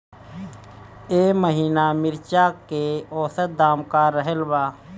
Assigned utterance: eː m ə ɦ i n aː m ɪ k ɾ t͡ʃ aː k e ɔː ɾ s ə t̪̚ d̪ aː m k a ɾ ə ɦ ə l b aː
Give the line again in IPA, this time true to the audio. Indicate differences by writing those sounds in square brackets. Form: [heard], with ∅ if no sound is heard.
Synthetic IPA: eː m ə ɦ [iː] n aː m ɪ [∅] ɾ t͡ʃ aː k e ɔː [∅] s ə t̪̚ d̪ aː m k a ɾ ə ɦ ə l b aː